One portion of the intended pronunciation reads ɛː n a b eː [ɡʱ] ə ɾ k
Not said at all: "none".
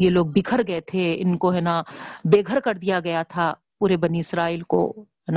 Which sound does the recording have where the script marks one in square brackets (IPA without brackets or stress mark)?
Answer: ɡʱ